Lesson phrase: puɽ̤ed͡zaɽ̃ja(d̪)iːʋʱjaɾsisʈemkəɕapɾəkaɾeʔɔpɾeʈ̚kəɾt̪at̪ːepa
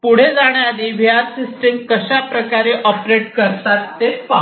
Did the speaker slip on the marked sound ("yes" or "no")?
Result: no